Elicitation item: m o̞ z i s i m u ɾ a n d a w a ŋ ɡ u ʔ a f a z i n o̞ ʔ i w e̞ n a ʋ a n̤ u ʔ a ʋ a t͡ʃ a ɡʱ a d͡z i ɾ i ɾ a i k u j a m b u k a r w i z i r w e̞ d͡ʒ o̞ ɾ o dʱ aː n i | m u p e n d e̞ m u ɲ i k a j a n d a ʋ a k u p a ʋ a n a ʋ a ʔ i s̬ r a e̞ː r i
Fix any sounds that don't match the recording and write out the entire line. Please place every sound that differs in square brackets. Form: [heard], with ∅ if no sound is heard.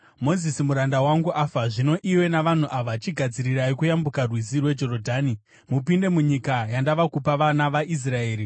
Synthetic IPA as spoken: m o̞ z i s i m u ɾ a n d a w a ŋ ɡ u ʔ a f a [ʐ] i n o̞ ʔ i w e̞ n a ʋ a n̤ u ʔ a ʋ a t͡ʃ [i] ɡʱ a d͡z i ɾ i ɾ a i k u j a m b u k a r w i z i r w e̞ d͡ʒ o̞ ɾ o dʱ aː n i | m u p [i] n d e̞ m u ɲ i k a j a n d a ʋ a k u p a ʋ a n a ʋ a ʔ i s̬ r a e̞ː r i